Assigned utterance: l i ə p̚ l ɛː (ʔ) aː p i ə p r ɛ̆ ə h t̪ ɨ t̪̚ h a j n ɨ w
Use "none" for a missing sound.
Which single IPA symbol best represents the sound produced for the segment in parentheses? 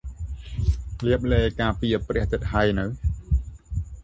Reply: k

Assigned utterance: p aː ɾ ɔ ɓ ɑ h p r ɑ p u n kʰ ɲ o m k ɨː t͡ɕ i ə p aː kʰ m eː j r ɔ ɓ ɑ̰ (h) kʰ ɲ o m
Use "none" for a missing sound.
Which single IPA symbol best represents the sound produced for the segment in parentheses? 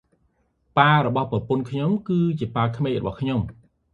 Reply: h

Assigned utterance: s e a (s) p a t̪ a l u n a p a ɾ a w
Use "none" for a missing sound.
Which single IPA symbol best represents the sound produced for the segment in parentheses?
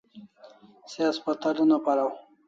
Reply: s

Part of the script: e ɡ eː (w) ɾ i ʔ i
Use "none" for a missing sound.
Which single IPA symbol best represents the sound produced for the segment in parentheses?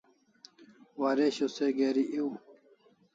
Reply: none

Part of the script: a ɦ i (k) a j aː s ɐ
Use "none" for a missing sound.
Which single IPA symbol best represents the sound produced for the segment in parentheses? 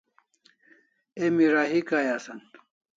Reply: k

